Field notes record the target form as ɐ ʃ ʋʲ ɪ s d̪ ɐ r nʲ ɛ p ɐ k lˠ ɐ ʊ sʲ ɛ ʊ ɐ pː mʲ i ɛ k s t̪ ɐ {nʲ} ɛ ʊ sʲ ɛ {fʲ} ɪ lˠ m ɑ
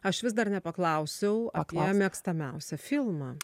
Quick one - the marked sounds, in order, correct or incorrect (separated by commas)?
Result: incorrect, correct